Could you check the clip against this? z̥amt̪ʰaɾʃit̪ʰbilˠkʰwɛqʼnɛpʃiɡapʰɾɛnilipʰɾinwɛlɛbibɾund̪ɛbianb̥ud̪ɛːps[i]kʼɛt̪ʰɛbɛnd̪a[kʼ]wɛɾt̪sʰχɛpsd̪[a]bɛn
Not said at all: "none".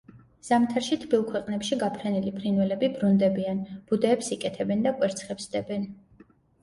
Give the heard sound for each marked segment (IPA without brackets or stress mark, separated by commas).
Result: i, kʼ, ɛ